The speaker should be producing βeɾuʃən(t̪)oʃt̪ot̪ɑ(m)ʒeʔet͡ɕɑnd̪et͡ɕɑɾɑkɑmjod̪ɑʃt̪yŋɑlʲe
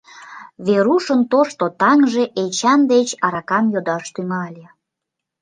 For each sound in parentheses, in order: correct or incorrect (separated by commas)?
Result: correct, incorrect